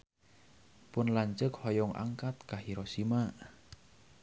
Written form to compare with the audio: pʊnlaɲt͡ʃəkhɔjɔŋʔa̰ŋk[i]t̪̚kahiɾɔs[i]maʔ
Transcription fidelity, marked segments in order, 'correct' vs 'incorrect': incorrect, correct

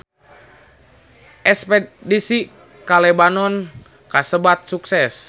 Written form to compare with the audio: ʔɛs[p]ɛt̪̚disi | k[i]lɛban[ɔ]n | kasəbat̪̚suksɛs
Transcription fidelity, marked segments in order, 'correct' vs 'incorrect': correct, incorrect, correct

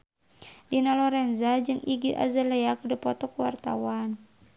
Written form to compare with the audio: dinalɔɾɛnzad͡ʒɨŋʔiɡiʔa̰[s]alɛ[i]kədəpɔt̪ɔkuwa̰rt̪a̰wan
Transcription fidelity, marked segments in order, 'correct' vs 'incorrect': incorrect, incorrect

